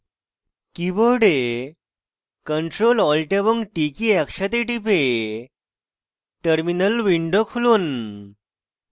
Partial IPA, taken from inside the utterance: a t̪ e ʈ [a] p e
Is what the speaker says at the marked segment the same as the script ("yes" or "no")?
no